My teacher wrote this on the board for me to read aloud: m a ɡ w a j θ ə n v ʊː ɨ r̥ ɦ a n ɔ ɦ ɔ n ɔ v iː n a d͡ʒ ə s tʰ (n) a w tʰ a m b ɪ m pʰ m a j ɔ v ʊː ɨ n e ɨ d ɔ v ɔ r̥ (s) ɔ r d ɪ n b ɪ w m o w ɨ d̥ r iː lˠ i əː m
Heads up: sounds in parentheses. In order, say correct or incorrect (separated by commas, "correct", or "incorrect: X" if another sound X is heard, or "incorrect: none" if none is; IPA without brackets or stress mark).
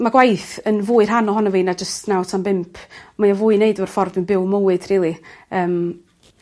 correct, incorrect: f